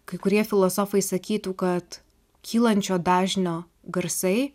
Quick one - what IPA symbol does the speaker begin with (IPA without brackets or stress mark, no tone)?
k